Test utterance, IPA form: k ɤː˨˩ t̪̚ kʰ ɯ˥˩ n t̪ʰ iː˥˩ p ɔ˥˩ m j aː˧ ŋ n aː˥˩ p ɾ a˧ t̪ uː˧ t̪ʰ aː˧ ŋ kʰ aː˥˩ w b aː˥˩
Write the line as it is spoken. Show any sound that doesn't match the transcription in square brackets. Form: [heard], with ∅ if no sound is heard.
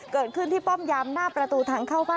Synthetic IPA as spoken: k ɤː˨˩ t̪̚ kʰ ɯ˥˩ n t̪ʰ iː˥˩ p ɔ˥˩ m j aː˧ [m] n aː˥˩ p ɾ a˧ t̪ uː˧ t̪ʰ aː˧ ŋ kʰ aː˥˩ w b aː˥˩